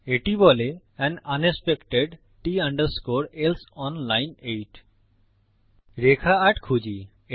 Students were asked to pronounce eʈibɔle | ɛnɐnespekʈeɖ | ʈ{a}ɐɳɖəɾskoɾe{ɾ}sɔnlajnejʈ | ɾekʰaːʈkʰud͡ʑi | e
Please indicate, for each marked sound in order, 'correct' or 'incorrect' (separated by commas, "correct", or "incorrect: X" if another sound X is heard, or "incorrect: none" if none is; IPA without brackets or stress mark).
incorrect: i, incorrect: l